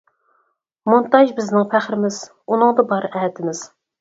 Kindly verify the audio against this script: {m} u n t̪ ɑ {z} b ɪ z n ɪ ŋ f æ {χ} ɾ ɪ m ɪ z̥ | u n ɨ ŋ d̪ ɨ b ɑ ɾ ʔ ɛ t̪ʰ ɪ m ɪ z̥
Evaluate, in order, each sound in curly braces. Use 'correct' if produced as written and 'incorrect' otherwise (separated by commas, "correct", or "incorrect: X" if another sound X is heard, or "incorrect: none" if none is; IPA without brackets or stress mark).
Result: correct, incorrect: ʒ, correct